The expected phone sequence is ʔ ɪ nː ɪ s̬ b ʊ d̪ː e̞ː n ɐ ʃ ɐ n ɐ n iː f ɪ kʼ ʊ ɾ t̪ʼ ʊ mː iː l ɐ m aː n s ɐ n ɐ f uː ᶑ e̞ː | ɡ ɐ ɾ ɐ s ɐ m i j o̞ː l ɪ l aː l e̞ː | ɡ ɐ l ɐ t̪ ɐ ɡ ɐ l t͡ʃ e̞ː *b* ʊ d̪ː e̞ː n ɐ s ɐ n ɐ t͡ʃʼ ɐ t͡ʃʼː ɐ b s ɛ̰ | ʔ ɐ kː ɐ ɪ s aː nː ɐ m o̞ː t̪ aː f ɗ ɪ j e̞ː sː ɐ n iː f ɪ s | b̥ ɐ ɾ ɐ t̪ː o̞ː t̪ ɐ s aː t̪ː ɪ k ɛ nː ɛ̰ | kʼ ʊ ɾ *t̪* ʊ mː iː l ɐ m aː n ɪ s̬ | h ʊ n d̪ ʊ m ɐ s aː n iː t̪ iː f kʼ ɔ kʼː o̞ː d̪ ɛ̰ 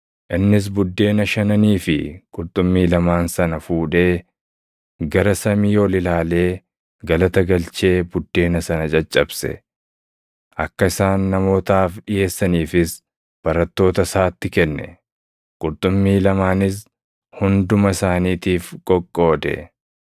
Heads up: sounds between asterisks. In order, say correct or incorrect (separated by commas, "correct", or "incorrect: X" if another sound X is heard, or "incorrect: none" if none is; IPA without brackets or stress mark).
correct, incorrect: t̪ʼ